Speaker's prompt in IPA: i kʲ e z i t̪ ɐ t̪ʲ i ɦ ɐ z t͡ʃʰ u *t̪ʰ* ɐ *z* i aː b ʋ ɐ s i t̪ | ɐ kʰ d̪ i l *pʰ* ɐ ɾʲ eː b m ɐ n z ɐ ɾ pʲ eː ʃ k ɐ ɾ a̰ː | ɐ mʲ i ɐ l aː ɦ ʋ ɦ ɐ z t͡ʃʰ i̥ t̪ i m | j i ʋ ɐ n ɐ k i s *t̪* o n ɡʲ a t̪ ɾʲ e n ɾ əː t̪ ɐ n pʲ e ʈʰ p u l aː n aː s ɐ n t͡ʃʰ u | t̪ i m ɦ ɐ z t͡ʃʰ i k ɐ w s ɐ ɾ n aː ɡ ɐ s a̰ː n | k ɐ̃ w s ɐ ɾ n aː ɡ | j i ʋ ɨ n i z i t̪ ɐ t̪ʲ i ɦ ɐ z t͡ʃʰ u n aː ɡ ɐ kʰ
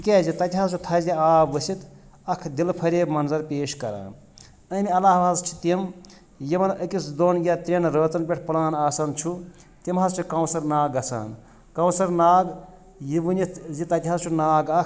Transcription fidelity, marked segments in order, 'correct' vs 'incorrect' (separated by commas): correct, correct, correct, incorrect